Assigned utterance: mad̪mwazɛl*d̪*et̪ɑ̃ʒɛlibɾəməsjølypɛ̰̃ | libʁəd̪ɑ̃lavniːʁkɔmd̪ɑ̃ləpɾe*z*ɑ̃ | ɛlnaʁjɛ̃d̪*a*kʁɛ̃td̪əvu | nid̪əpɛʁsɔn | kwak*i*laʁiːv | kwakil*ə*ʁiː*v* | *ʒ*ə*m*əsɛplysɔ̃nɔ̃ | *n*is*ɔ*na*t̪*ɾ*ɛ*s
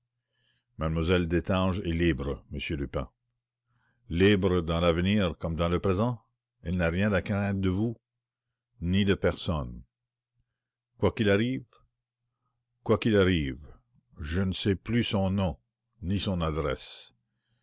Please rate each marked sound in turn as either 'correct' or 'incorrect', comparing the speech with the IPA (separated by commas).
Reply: correct, correct, correct, correct, incorrect, correct, correct, incorrect, correct, incorrect, incorrect, correct